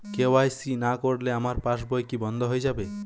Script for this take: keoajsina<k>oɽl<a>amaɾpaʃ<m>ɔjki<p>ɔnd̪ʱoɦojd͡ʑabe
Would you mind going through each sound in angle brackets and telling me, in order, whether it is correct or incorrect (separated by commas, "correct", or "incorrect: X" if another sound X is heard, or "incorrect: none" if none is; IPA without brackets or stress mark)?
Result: correct, incorrect: e, incorrect: b, incorrect: b